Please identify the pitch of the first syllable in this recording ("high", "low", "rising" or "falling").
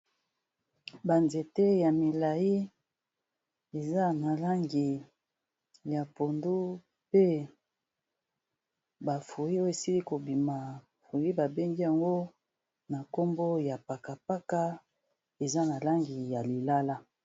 low